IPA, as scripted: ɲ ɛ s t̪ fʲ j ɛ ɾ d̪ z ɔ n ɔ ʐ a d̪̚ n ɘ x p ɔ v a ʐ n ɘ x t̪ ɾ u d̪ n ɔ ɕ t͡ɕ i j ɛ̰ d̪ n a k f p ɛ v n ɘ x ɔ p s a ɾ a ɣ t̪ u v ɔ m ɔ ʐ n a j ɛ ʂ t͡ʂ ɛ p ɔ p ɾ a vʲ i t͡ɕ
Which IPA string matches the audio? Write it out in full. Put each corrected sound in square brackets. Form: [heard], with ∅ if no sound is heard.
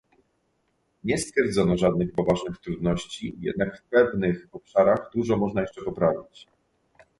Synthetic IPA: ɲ ɛ s t̪ fʲ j ɛ ɾ d̪ z ɔ n ɔ ʐ a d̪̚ n ɘ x p ɔ v a ʐ n ɘ x t̪ ɾ u d̪ n ɔ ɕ t͡ɕ i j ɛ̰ d̪ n a k f p ɛ v n ɘ x ɔ p [ʂ] a ɾ a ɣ [d̪] u [ʐ] ɔ m ɔ ʐ n a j ɛ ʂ t͡ʂ ɛ p ɔ p ɾ a vʲ i t͡ɕ